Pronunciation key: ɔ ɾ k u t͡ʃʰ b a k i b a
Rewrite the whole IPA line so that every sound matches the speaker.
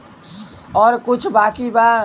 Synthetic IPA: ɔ ɾ k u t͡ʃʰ b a k i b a